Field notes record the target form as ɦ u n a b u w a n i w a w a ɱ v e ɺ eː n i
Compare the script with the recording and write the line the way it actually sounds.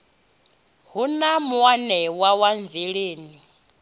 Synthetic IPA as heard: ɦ u n a m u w a n ɛ w a w a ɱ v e ɺ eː n i